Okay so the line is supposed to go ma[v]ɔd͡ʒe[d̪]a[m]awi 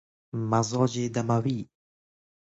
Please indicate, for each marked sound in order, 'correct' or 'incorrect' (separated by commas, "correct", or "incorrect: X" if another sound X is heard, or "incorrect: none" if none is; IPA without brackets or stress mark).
incorrect: z, correct, correct